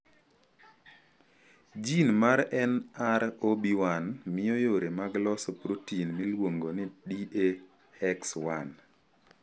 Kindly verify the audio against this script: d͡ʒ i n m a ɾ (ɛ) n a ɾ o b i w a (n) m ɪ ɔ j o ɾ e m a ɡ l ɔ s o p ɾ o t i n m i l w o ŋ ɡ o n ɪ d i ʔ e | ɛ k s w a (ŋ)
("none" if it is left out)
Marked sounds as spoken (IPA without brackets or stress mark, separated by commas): ɛ, n, n